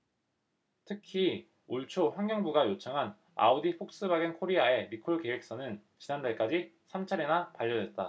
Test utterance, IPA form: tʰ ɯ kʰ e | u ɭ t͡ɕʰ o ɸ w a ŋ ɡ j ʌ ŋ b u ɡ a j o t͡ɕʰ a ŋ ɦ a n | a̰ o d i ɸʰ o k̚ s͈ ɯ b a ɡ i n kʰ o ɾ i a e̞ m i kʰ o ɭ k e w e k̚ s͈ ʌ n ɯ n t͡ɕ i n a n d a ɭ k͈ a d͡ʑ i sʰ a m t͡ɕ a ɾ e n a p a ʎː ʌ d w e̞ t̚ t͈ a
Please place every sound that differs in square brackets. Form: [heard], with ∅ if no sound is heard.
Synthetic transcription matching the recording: tʰ ɯ kʰ [i] | u ɭ t͡ɕʰ o ɸ w a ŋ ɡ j ʌ ŋ b u ɡ a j o t͡ɕʰ a ŋ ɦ a n | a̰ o d i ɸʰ o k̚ s͈ ɯ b a ɡ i n kʰ o ɾ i a e̞ m i kʰ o ɭ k e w e k̚ s͈ ʌ n ɯ n t͡ɕ i n a n d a ɭ k͈ a d͡ʑ i sʰ a m [t͡ɕʰ] a ɾ e n a p a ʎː ʌ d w e̞ t̚ t͈ a